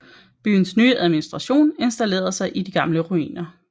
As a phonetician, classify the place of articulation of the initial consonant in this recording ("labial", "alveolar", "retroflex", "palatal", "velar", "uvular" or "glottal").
labial